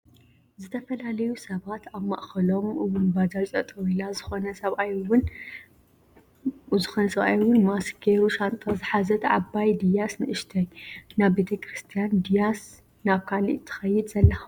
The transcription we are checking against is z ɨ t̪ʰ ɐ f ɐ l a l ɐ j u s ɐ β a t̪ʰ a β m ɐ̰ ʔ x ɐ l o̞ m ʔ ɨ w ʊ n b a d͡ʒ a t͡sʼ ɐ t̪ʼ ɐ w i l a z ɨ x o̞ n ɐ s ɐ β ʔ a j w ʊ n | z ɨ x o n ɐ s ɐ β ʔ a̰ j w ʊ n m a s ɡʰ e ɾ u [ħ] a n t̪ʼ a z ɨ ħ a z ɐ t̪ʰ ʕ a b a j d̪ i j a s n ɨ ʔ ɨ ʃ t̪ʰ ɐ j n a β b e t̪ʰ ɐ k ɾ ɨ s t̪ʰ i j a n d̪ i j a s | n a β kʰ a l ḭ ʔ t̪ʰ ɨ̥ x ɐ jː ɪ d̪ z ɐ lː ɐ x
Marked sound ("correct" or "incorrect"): incorrect